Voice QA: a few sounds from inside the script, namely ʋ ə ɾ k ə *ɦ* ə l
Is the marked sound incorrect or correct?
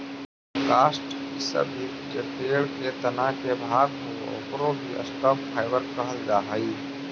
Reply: correct